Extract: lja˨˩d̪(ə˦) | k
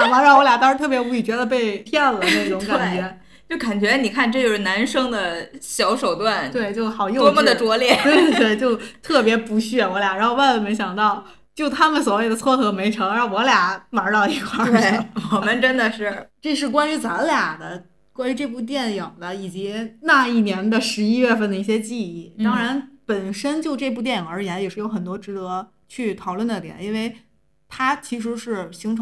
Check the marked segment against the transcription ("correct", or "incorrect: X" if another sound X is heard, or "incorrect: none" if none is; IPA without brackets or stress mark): correct